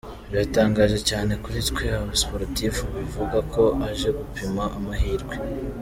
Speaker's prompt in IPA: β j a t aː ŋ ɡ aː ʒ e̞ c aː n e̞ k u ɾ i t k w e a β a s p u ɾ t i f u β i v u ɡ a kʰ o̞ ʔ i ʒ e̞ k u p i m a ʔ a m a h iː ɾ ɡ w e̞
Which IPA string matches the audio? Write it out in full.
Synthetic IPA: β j a t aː ŋ ɡ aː ʒ e̞ c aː n e̞ k u ɾ i t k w e a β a s p o ɾ t i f u β i v u ɡ a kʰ o̞ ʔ a ʒ e̞ ɡ u p i m a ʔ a m a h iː ɾ ɡ w e̞